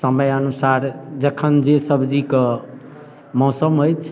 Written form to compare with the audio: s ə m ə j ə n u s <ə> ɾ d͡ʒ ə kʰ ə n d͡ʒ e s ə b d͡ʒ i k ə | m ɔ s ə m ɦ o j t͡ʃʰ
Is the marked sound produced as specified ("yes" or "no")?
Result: no